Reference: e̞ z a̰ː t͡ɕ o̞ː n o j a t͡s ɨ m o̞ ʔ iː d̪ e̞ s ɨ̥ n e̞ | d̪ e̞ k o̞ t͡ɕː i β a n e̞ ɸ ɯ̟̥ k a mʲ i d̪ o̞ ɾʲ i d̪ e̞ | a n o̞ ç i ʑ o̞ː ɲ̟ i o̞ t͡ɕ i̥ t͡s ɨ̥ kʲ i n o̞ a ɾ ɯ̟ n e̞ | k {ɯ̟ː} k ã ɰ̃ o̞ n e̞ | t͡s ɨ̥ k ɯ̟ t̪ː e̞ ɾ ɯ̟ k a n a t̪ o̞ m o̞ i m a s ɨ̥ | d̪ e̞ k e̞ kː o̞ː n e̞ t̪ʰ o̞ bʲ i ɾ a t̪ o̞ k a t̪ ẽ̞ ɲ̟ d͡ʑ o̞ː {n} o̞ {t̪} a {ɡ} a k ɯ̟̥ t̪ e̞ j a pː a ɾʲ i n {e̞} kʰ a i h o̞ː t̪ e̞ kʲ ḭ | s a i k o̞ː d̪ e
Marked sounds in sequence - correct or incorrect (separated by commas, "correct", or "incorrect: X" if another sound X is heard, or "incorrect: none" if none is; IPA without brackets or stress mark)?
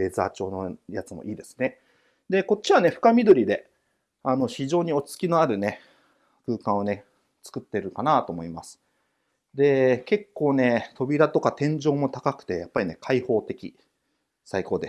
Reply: correct, incorrect: m, correct, incorrect: k, correct